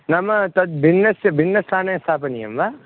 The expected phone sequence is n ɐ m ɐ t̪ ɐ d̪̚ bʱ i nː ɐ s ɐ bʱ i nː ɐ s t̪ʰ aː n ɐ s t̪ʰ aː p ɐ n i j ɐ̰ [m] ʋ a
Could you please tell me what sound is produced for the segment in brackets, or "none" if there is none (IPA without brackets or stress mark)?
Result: m